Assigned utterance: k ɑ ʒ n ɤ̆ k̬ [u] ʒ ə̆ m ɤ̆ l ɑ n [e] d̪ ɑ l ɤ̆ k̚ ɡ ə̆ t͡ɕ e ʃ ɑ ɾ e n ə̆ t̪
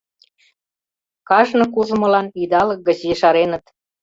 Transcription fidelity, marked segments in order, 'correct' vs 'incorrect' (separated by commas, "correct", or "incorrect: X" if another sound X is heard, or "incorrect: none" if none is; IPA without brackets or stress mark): correct, incorrect: i